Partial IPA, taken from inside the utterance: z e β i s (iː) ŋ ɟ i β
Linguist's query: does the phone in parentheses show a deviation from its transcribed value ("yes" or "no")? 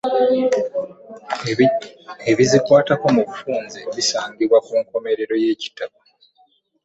yes